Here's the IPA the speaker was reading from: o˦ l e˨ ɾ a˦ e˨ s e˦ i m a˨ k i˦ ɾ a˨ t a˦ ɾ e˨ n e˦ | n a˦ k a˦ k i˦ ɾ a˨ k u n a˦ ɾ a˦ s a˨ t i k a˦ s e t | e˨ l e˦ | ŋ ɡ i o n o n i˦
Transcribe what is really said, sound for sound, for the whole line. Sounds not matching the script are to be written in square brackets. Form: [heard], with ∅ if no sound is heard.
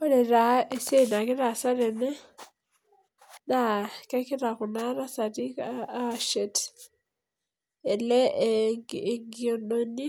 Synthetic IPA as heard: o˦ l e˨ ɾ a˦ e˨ s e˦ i [n] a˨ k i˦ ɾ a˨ [s] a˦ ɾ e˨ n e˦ | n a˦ k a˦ k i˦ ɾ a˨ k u n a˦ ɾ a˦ s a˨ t i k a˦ [ʃ] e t | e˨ l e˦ | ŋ ɡ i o n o n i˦